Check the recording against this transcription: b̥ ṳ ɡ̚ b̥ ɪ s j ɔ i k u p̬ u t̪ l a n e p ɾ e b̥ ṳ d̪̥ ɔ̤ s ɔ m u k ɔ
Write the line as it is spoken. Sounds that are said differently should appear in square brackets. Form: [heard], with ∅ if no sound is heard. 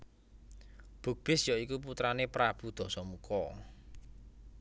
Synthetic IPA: b̥ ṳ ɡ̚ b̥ ɪ s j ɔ i k u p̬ u t̪ [ɾ] a n e p ɾ [a] b̥ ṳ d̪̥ ɔ̤ s ɔ m u k ɔ

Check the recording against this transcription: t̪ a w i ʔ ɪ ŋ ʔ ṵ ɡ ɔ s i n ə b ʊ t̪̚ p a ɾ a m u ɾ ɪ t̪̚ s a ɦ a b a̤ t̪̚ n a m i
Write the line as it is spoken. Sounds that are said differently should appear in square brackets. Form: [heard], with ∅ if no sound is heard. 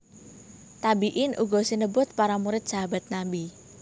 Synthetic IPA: t̪ a [b] i ʔ ɪ [n] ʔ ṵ ɡ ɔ s i n ə b ʊ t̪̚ p a ɾ a m u ɾ ɪ t̪̚ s a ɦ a b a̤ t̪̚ n a [b] i

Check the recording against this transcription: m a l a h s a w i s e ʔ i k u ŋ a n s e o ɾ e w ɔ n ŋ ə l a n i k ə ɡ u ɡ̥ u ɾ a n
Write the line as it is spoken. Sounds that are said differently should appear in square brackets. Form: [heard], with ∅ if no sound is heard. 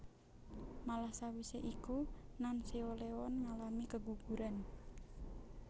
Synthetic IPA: m a l a h s a w i s e ʔ i k u [n] a n s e o [l] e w ɔ n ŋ [a] l a [m] i k ə ɡ u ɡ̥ u ɾ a n

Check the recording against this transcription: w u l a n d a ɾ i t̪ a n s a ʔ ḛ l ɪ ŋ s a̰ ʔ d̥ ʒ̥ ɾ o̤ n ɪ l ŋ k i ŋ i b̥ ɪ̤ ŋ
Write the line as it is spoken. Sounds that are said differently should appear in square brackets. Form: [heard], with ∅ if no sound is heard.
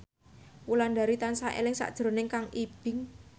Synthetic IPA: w u l a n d a ɾ i t̪ a n s a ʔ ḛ l ɪ ŋ s a̰ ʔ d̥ ʒ̥ ɾ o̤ n ɪ [∅] ŋ k [a] ŋ i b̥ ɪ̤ ŋ

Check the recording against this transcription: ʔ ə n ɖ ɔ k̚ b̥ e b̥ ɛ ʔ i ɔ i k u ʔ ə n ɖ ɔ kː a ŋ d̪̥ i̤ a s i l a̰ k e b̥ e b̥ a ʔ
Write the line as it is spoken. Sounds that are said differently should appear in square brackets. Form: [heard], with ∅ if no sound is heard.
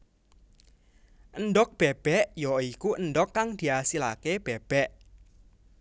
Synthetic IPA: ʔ ə n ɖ ɔ k̚ b̥ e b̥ ɛ ʔ [j] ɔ i k u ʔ ə n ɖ ɔ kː a ŋ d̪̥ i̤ a s i l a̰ k e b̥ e b̥ [ɛ] ʔ

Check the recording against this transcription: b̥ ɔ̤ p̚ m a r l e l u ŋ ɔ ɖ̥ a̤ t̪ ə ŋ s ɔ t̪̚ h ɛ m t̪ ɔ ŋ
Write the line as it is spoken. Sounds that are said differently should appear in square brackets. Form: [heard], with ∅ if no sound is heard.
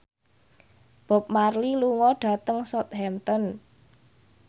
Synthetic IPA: b̥ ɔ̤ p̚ m a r l [i] l u ŋ ɔ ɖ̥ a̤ t̪ ə ŋ s ɔ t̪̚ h ɛ m t̪ ɔ [n]

